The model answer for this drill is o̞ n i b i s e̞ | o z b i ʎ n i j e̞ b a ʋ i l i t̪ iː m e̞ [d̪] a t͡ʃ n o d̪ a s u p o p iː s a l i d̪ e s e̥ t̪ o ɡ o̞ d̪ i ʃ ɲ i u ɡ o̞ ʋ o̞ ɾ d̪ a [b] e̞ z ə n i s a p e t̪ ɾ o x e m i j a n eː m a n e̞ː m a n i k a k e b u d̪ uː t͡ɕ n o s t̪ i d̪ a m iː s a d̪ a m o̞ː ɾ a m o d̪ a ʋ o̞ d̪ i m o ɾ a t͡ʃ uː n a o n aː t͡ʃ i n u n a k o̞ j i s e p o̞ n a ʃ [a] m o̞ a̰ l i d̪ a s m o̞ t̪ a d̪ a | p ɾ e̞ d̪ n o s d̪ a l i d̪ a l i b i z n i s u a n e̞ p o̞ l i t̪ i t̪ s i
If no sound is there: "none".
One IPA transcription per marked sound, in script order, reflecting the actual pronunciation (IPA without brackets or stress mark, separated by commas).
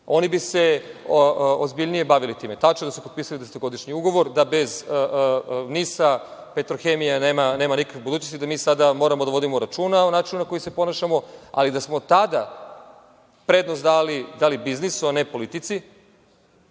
t̪, b, a